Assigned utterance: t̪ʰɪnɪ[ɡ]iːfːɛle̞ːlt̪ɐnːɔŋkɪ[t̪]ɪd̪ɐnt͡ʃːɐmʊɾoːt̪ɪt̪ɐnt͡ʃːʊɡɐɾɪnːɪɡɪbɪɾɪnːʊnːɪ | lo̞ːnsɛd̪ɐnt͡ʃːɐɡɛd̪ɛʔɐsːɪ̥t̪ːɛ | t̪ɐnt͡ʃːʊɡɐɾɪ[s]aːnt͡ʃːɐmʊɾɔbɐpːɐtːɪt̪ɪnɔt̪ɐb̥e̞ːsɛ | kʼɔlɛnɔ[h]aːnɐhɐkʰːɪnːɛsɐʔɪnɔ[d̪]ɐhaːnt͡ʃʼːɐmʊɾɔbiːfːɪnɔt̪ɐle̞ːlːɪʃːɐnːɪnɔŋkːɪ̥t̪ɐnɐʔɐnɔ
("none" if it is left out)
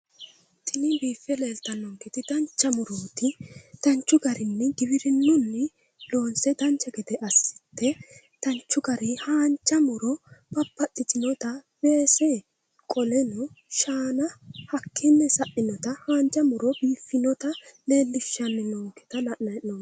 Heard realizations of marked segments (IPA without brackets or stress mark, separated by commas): b, t̪, h, ʃ, t̪